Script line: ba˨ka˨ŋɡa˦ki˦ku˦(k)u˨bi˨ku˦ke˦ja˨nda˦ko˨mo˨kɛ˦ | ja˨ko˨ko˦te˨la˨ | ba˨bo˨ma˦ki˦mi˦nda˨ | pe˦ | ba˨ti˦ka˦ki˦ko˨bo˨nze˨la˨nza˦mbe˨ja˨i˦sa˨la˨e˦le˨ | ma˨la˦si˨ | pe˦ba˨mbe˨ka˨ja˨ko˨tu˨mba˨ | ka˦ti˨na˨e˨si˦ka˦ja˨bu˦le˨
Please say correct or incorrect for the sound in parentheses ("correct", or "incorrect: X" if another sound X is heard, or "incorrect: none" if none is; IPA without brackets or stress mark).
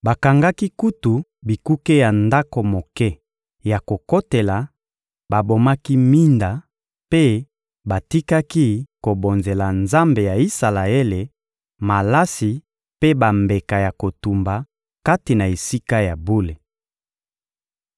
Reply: incorrect: t